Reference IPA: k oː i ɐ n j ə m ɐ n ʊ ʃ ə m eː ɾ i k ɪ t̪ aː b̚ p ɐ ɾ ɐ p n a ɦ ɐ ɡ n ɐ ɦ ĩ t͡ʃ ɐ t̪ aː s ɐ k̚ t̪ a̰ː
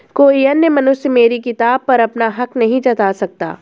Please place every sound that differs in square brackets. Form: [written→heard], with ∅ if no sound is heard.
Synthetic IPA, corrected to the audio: k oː i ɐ n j ə m ɐ n ʊ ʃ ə m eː ɾ i k ɪ t̪ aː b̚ p ɐ ɾ ɐ p n a ɦ ɐ [ɡ→k] n ɐ ɦ ĩ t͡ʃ ɐ t̪ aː s ɐ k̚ t̪ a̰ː